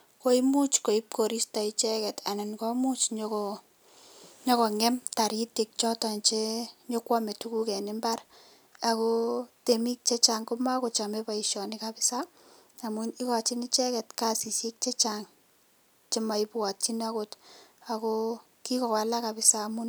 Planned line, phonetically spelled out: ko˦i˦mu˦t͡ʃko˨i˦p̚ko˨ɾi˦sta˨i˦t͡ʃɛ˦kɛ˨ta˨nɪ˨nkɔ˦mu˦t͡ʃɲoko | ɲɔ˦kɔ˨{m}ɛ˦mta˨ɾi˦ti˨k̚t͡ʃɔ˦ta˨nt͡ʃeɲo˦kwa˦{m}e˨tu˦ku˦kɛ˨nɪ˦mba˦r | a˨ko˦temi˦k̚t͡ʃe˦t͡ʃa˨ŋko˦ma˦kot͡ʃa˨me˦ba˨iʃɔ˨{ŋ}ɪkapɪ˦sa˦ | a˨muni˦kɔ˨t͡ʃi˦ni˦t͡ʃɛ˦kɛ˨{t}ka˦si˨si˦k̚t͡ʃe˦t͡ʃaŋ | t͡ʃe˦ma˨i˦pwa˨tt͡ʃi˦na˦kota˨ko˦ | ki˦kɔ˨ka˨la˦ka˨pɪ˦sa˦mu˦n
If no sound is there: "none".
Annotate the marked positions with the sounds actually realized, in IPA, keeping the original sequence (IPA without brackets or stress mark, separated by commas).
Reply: ŋ, m, n, t